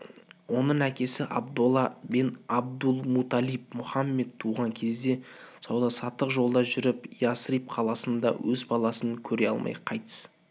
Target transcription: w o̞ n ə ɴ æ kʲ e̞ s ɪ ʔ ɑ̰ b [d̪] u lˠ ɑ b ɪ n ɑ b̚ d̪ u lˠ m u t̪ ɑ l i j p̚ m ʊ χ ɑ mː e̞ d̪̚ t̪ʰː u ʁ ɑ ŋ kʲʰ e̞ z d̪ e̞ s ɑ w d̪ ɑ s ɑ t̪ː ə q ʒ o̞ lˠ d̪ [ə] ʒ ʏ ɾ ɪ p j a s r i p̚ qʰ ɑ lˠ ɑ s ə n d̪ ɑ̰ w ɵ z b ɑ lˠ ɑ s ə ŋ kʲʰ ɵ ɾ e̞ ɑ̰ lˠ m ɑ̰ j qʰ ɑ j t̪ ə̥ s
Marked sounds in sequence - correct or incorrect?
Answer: correct, incorrect

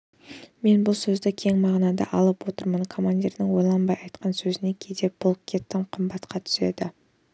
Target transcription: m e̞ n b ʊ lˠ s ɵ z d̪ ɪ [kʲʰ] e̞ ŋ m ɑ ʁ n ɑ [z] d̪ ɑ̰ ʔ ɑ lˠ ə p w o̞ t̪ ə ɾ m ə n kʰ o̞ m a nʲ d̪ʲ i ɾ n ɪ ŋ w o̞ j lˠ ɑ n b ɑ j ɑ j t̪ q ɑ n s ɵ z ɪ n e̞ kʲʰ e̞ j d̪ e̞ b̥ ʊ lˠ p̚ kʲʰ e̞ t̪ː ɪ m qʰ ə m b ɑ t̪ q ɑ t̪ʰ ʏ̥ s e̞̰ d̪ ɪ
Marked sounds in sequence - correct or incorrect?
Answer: correct, incorrect

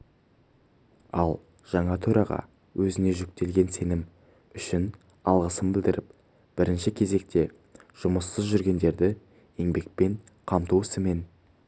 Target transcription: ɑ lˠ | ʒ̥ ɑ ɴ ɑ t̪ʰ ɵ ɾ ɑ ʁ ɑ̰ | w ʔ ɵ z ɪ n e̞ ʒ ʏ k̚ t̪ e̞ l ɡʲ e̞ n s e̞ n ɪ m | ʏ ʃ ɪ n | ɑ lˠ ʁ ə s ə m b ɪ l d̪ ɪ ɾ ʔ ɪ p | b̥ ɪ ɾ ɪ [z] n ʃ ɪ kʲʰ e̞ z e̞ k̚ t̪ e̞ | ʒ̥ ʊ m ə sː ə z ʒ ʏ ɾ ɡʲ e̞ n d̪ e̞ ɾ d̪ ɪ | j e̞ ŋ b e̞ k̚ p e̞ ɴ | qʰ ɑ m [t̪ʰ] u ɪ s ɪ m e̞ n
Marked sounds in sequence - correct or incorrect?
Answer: incorrect, incorrect

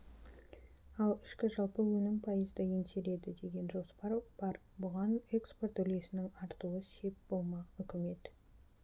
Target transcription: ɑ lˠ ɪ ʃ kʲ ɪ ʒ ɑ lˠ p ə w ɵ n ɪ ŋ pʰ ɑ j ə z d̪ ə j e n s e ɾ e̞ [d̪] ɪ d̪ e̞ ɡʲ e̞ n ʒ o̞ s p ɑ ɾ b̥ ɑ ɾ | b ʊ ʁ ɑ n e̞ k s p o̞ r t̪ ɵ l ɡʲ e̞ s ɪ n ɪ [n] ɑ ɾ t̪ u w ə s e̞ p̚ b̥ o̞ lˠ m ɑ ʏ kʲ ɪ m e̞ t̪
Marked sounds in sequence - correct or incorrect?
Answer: correct, incorrect

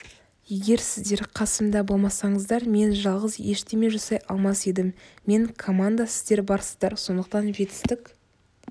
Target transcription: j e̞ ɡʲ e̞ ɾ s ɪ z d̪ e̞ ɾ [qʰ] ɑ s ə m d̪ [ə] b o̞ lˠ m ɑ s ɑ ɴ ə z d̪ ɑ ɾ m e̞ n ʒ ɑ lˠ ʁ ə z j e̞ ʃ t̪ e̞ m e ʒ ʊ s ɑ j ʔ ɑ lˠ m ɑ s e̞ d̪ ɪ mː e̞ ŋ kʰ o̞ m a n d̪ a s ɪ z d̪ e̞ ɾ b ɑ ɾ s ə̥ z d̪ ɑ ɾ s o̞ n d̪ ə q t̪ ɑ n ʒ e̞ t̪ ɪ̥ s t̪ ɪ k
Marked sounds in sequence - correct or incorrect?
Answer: correct, incorrect

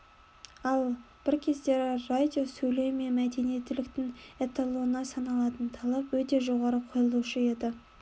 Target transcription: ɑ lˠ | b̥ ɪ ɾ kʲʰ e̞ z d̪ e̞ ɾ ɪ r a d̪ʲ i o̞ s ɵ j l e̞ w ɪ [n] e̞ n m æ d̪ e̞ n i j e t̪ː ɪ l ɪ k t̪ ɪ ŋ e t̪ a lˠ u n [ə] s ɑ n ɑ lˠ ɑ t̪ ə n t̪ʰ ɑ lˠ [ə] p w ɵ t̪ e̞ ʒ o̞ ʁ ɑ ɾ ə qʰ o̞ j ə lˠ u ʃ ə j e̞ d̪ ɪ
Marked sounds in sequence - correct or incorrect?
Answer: incorrect, incorrect, incorrect

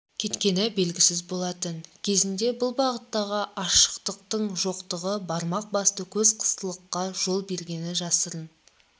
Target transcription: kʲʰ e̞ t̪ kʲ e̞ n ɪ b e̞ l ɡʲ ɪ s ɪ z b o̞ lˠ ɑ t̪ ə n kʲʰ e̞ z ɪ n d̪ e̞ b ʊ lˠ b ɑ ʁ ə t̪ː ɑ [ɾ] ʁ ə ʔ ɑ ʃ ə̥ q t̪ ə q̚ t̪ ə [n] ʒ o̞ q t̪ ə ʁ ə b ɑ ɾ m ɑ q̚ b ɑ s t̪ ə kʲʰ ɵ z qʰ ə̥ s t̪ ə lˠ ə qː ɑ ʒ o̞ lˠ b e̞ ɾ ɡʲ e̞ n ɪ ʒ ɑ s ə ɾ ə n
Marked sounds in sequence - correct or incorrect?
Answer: incorrect, incorrect

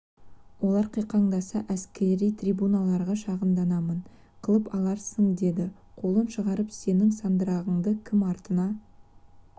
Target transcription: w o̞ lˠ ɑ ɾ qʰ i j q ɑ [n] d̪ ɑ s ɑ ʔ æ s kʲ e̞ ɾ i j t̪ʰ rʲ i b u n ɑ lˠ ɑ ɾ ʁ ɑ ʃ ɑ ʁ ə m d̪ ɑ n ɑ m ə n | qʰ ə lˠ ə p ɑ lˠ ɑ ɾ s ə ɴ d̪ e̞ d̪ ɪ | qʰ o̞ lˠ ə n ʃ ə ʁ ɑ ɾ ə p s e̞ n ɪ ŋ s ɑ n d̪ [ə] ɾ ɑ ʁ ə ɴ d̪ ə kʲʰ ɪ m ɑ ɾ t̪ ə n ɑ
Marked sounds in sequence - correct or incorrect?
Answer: incorrect, correct

